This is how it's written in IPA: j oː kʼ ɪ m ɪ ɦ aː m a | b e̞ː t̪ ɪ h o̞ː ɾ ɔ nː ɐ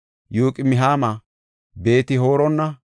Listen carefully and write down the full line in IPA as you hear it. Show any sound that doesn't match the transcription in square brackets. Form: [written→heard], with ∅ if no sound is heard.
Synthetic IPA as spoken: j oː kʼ ɪ m ɪ ɦ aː m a | b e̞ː t̪ ɪ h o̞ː ɾ ɔ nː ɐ